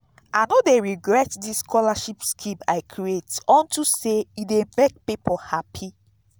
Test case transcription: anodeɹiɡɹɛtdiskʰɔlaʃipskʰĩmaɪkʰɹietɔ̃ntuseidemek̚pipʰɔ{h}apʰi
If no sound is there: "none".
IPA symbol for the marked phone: h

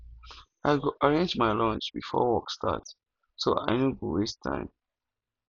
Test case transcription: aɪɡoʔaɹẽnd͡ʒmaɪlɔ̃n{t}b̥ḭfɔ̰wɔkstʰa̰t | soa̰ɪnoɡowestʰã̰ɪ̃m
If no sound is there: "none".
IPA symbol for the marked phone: t͡ʃ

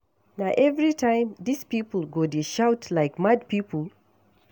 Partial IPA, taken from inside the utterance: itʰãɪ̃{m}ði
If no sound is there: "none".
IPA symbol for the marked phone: m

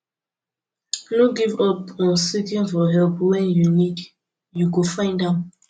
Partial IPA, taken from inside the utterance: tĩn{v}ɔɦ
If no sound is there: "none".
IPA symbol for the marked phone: f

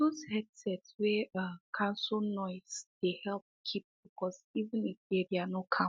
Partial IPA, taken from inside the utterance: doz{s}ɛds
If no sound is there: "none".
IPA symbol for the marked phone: h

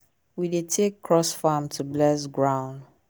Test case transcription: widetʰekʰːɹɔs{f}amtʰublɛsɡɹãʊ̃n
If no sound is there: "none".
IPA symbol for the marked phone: f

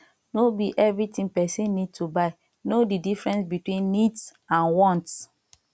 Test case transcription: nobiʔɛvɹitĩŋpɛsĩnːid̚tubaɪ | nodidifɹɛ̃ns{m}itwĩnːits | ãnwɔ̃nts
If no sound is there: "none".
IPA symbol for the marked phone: b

